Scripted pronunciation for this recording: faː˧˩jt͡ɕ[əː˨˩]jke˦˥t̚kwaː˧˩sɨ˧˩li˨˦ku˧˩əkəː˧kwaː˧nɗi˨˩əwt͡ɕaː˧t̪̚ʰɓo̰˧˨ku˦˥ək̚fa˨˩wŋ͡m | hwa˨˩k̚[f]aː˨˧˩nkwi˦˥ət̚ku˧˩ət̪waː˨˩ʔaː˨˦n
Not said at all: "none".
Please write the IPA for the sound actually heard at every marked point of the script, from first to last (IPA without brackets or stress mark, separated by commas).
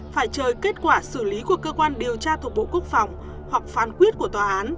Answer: əː˨˩, f